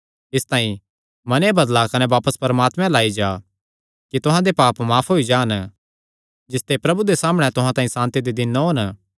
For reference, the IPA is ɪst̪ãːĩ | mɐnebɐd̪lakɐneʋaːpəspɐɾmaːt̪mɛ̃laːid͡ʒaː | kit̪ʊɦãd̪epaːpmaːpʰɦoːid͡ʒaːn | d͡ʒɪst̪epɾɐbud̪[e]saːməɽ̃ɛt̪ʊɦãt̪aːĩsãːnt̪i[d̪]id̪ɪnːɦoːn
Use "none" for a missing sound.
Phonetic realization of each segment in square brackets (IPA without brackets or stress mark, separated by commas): e, d̪